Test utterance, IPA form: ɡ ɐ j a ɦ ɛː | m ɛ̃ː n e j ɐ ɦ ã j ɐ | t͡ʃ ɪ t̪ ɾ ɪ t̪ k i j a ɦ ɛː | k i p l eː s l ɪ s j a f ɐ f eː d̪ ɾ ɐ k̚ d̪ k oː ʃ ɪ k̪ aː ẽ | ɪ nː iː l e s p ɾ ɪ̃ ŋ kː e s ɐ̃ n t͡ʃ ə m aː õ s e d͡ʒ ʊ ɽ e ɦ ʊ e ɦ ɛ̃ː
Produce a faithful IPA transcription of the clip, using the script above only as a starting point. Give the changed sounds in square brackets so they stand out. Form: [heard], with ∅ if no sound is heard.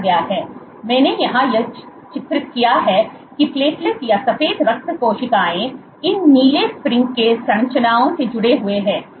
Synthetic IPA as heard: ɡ ɐ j a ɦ ɛː | m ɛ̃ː n e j ɐ ɦ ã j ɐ | t͡ʃ ɪ t̪ ɾ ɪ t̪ k i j a ɦ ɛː | k i p l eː s l ɪ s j a [s] ɐ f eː d̪ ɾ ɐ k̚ [t̪] k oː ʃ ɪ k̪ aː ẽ | ɪ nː iː l e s p ɾ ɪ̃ ŋ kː e s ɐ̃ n t͡ʃ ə [n] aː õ s e d͡ʒ ʊ ɽ e ɦ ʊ e ɦ ɛ̃ː